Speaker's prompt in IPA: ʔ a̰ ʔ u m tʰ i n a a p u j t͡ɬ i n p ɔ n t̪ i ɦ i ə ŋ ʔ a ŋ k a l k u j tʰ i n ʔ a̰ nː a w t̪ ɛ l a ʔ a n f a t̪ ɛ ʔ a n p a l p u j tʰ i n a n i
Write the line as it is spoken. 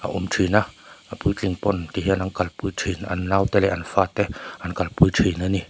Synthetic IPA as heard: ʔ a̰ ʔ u m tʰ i n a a p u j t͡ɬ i ŋ p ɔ n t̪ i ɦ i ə n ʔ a ŋ k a l p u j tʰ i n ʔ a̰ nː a w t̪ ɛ l ɛ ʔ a n f a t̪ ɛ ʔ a n k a l p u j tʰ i n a n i